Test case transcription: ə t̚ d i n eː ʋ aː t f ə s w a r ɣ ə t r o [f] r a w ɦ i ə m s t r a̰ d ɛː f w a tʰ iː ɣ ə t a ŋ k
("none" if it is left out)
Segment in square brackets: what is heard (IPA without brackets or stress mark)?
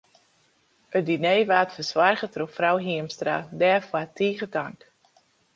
f